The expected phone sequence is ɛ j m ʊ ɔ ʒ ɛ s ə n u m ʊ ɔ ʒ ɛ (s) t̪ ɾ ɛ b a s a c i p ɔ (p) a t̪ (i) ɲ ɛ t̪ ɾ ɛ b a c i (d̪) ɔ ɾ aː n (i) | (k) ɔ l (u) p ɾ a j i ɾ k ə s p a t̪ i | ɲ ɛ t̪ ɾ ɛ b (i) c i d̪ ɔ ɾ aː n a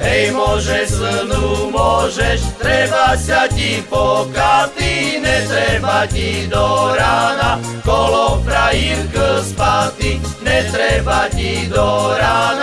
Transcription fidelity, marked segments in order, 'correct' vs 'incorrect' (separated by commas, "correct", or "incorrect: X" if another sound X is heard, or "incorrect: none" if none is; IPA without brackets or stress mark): incorrect: ʃ, incorrect: k, correct, correct, incorrect: a, correct, incorrect: ɔ, incorrect: a